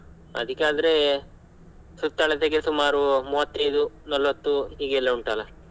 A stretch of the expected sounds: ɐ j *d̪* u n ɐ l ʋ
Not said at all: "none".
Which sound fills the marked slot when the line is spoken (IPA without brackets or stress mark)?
d̪